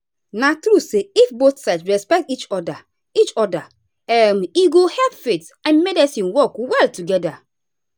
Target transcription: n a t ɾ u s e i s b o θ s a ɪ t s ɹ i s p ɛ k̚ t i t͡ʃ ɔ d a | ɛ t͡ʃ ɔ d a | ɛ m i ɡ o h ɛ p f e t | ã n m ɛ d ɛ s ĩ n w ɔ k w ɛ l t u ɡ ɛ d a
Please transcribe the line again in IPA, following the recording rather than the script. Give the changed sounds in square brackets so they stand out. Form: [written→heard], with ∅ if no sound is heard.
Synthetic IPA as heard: n a t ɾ u s e i [s→f] b o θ s a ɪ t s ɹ [i→ɛ] s p ɛ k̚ t i t͡ʃ ɔ d a | [ɛ→i] t͡ʃ ɔ d a | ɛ m i ɡ o h ɛ p f e t | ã n m ɛ d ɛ s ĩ n w ɔ k w ɛ l t u ɡ ɛ d a